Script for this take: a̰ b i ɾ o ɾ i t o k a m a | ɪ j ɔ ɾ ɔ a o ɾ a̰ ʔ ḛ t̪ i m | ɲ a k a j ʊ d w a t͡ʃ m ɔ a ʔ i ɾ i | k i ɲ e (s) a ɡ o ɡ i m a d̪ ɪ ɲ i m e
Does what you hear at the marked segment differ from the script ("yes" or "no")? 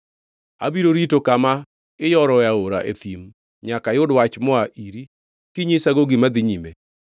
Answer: no